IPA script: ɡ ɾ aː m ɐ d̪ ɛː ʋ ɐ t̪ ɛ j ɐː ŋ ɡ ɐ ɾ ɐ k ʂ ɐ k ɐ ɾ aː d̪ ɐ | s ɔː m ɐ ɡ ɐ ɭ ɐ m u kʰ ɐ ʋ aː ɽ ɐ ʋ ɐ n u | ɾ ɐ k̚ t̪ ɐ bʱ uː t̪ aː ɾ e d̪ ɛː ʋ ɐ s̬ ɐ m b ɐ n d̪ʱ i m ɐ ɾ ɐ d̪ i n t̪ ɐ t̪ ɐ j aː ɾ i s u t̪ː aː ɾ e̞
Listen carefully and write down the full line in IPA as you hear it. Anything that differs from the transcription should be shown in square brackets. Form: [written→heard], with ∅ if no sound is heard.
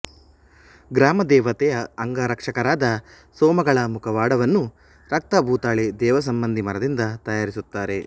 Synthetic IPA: ɡ ɾ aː m ɐ d̪ ɛː ʋ ɐ t̪ ɛ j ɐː ŋ ɡ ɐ ɾ ɐ k ʂ ɐ k ɐ ɾ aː d̪ ɐ | s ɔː m ɐ ɡ ɐ ɭ ɐ m u kʰ ɐ ʋ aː ɽ ɐ ʋ ɐ [n→nː] u | ɾ ɐ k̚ t̪ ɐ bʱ uː t̪ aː [ɾ→ɭ] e d̪ ɛː ʋ ɐ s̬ ɐ m b ɐ n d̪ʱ i m ɐ ɾ ɐ d̪ i n [t̪→d̪] ɐ t̪ ɐ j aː ɾ i s u t̪ː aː ɾ e̞

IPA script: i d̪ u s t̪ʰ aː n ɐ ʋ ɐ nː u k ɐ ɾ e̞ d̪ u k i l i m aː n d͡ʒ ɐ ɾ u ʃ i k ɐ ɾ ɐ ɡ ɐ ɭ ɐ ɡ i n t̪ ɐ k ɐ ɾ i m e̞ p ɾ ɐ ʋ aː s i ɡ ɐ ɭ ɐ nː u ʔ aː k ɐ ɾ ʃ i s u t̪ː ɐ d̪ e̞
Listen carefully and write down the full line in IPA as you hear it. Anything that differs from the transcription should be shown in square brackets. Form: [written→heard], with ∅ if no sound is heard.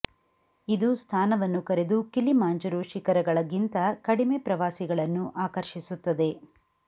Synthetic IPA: i d̪ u s t̪ʰ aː n ɐ ʋ ɐ nː u k ɐ ɾ e̞ d̪ u k i l i m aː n d͡ʒ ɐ ɾ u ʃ i k ɐ ɾ ɐ ɡ ɐ ɭ ɐ ɡ i n t̪ ɐ k ɐ [ɾ→ɽ] i m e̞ p ɾ ɐ ʋ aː s i ɡ ɐ ɭ ɐ nː u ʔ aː k ɐ ɾ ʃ i s u t̪ː ɐ d̪ e̞

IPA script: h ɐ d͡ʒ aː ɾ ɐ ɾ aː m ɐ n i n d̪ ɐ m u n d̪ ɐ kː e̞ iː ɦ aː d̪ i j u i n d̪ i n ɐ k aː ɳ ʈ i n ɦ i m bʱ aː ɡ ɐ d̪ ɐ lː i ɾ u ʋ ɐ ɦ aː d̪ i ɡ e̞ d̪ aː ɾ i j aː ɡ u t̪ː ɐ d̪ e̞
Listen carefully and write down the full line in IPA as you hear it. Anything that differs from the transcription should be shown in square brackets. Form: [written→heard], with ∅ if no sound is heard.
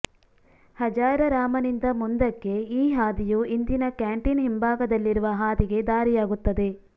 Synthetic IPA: h ɐ d͡ʒ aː ɾ ɐ ɾ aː m ɐ n i n d̪ ɐ m u n d̪ ɐ kː e̞ iː ɦ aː d̪ i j u i n d̪ i n ɐ k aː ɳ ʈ i n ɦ i m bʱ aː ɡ ɐ d̪ ɐ lː i ɾ u ʋ ɐ ɦ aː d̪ i ɡ e̞ d̪ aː ɾ i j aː ɡ u t̪ː ɐ d̪ e̞

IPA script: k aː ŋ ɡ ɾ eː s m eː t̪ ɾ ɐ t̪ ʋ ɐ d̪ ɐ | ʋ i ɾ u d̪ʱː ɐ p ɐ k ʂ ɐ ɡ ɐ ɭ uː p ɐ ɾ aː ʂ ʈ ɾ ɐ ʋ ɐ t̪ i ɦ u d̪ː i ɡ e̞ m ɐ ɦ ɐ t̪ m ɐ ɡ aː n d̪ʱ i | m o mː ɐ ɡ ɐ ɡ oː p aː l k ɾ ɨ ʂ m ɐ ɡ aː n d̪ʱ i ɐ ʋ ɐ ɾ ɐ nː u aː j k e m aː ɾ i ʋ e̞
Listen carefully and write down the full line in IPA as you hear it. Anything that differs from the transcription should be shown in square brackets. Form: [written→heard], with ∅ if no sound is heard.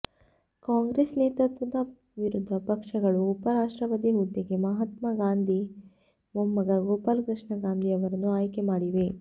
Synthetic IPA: k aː ŋ ɡ ɾ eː s [m→n] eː t̪ ɾ ɐ t̪ ʋ ɐ d̪ ɐ | ʋ i ɾ u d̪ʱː ɐ p ɐ k ʂ ɐ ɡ ɐ ɭ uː p ɐ ɾ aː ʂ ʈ ɾ ɐ ʋ ɐ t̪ i ɦ u d̪ː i ɡ e̞ m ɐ ɦ ɐ t̪ m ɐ ɡ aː n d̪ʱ i | m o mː ɐ ɡ ɐ ɡ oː p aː l k ɾ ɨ ʂ [m→ɳ] ɐ ɡ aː n d̪ʱ i ɐ ʋ ɐ ɾ ɐ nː u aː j k e m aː [ɾ→ɽ] i ʋ e̞

